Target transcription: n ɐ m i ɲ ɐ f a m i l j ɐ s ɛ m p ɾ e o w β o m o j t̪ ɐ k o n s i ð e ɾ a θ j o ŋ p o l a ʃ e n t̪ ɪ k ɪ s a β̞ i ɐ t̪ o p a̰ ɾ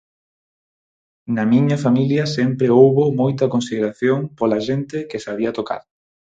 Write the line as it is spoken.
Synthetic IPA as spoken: n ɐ m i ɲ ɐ f a m i l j ɐ s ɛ m p ɾ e o w β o m o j t̪ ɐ k o n s i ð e ɾ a θ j o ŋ p o l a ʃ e n t̪ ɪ k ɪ s a β̞ i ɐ t̪ o k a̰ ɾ